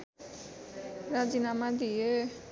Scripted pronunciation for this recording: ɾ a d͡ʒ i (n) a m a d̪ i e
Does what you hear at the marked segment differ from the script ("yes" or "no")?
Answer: no